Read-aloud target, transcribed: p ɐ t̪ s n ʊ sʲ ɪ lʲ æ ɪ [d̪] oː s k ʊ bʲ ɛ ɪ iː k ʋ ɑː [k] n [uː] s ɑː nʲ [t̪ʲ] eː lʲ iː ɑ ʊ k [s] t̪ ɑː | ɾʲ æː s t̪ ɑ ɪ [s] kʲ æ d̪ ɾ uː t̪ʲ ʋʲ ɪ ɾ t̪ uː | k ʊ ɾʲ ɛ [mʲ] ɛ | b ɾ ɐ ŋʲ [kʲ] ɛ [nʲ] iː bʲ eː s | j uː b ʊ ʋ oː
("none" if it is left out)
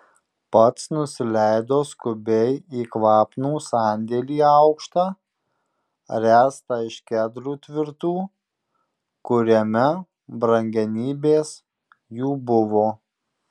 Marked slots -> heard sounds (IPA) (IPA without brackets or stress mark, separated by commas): d̪, p, uː, d̪ʲ, ʃ, ʃ, mʲ, ɡʲ, nʲ